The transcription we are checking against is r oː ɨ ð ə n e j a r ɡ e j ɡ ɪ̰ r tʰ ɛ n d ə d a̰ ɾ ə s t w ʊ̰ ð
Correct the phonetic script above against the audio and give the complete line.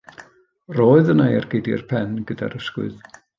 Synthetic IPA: r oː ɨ ð ə n a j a r ɡ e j d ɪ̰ r pʰ ɛ n ɡ ə d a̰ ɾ ə s k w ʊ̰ ð